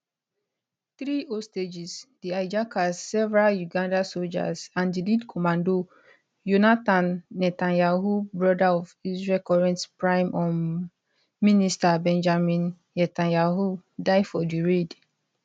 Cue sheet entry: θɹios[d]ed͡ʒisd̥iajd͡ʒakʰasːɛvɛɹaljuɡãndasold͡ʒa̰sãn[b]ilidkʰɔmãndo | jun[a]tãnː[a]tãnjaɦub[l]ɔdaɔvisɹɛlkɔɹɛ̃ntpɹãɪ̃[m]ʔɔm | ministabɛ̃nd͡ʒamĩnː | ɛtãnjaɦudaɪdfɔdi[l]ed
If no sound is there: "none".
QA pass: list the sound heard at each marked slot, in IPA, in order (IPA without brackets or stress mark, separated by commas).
t, d, a, ɛ, ɹ, m, ɹ